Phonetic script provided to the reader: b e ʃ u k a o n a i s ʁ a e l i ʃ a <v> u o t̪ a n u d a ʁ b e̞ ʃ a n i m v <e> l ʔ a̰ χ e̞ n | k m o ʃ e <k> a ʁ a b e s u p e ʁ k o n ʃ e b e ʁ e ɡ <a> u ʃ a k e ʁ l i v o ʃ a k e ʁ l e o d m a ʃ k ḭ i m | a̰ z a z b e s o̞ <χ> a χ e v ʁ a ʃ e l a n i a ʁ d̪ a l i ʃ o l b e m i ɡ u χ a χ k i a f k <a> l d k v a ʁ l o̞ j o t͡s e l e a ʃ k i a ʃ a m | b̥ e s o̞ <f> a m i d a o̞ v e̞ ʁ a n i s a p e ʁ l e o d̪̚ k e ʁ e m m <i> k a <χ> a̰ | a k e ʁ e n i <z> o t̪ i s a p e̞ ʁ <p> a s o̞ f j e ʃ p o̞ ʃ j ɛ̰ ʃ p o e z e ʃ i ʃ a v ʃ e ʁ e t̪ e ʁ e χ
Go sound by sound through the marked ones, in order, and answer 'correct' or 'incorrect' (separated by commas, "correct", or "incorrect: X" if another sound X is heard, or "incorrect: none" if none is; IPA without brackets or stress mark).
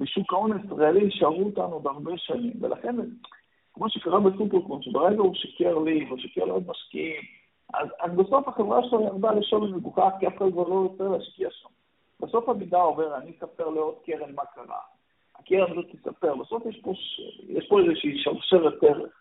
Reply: incorrect: ʁ, correct, correct, correct, incorrect: f, correct, correct, incorrect: a, incorrect: ʁ, correct, incorrect: b